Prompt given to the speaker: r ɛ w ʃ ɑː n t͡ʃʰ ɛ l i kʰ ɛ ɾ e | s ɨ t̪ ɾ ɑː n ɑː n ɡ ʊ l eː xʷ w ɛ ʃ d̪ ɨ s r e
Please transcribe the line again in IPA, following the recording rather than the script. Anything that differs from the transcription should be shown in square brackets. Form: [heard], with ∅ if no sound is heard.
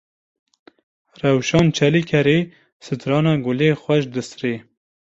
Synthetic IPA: r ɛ w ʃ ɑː n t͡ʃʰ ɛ l i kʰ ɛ ɾ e | s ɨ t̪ ɾ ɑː n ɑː [∅] ɡ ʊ l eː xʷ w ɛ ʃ d̪ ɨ s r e